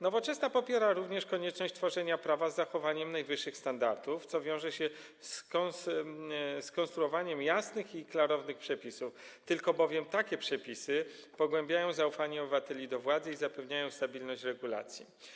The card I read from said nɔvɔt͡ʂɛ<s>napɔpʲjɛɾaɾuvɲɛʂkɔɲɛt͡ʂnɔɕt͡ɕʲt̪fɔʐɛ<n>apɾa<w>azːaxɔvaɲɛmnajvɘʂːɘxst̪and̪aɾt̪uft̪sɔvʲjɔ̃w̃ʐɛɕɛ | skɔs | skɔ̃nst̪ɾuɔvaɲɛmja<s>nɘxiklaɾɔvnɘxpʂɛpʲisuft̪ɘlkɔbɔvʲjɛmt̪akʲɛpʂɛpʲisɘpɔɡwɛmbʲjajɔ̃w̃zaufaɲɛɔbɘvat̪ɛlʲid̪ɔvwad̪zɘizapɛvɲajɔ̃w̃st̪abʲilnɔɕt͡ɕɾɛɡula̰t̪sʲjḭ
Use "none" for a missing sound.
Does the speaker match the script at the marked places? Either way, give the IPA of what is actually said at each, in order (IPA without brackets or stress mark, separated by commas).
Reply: s, ɲ, v, s